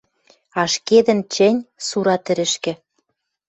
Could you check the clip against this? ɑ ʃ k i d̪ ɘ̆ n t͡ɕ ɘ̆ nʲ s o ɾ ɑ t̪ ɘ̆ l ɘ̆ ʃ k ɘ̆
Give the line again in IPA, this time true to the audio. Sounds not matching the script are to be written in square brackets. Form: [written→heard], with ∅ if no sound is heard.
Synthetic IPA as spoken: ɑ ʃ k [i→e] d̪ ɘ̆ n t͡ɕ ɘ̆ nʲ s [o→u] ɾ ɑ t̪ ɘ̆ [l→ɾ] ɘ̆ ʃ k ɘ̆